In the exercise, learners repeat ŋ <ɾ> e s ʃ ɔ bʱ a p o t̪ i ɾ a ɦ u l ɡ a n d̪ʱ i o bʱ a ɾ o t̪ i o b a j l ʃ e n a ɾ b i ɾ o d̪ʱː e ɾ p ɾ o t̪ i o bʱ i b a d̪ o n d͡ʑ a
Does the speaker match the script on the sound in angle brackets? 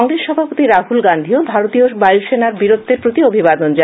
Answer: yes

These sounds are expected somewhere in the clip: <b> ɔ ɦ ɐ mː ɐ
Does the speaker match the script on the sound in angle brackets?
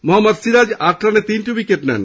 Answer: no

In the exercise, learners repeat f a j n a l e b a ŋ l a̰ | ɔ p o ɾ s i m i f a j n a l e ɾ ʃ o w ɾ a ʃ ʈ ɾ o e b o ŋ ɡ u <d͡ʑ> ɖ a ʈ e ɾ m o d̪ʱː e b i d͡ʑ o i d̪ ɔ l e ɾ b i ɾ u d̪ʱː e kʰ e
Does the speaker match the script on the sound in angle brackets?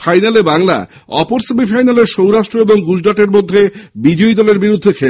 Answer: yes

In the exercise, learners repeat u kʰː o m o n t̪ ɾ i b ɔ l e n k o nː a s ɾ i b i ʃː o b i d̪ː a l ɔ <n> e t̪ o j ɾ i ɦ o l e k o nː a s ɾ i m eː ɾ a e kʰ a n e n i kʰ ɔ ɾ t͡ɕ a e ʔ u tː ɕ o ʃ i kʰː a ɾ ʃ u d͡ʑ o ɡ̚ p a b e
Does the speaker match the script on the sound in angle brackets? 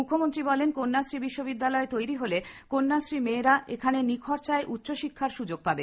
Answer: no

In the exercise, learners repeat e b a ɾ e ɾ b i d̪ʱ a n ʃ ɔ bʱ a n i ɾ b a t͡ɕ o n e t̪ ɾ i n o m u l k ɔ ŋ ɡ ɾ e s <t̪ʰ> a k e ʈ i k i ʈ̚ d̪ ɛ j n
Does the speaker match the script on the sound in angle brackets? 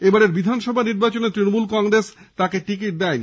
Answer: no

